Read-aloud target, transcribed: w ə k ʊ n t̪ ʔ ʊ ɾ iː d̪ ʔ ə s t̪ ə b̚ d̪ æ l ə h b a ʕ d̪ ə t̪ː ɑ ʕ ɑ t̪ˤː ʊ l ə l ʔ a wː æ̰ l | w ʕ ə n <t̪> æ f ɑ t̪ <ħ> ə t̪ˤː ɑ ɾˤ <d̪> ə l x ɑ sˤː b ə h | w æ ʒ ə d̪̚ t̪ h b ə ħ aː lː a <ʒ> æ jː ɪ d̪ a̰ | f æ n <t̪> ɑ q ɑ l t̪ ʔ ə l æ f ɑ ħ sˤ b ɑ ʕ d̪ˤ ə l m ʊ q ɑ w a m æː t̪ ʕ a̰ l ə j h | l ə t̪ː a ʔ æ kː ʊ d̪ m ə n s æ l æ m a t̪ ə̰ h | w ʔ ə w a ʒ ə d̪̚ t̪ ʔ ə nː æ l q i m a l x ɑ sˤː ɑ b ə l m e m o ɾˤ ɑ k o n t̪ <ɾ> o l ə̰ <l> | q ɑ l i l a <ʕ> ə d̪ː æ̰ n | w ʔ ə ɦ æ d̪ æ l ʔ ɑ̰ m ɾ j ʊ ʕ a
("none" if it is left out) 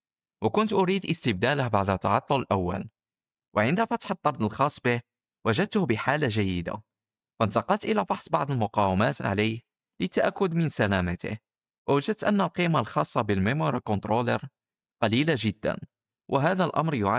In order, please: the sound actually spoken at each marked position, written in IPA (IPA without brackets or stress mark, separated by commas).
d̪, ħ, d̪, ʒ, t̪, ɾ, ɾ, ʒ